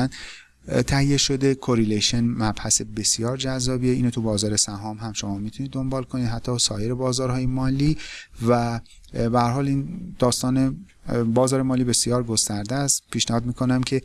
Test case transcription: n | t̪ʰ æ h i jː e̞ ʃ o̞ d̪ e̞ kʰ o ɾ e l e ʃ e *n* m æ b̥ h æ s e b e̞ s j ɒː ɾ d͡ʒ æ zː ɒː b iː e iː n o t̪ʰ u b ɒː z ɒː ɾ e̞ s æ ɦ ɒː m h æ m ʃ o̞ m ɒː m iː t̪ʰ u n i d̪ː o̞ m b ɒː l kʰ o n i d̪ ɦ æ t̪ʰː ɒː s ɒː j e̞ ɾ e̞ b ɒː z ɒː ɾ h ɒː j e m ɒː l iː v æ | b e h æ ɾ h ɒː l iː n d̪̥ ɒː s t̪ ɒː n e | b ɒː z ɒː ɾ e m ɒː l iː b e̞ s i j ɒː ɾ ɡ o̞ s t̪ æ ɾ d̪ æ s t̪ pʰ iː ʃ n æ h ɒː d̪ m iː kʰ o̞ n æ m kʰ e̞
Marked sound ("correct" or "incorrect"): correct